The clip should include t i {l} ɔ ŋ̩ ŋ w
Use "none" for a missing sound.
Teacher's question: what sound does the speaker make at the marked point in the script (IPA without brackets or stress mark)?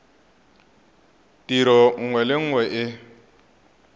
ɾ